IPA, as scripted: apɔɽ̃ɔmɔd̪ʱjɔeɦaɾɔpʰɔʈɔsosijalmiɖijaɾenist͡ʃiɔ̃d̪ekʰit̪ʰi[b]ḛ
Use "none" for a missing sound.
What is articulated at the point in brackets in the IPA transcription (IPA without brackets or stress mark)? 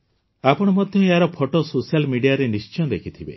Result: b